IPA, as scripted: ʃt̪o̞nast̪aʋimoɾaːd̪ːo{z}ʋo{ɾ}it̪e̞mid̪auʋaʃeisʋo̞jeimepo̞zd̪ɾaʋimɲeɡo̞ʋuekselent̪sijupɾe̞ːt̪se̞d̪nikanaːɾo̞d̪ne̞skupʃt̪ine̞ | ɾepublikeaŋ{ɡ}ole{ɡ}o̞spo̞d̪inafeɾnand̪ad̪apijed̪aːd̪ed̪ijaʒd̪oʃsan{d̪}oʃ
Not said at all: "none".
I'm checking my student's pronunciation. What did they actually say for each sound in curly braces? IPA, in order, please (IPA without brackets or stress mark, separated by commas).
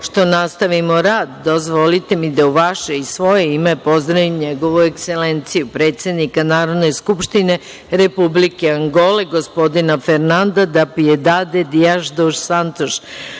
z, l, ɡ, ɡ, t̪